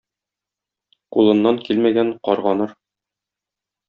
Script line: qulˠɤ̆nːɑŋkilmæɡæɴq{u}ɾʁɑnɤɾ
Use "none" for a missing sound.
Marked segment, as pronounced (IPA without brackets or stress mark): ɒ